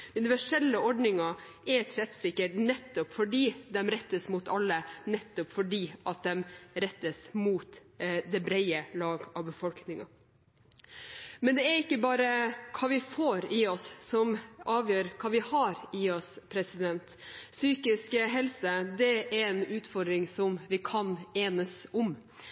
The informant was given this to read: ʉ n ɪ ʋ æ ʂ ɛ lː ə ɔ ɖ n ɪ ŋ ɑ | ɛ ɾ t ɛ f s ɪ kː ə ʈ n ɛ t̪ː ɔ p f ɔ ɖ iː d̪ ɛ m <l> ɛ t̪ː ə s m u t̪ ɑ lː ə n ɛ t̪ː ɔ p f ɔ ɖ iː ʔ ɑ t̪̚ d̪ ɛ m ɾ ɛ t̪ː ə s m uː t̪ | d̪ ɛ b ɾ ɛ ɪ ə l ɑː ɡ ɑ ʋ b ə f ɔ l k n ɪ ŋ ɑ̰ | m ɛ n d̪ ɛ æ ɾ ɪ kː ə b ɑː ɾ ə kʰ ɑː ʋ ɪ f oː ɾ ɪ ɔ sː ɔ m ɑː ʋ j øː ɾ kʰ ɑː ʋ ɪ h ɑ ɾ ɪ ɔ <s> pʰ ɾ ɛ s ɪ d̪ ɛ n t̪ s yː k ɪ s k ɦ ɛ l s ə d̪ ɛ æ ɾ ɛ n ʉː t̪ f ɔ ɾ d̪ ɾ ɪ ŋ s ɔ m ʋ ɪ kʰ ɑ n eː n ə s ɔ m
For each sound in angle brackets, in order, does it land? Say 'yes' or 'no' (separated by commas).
no, yes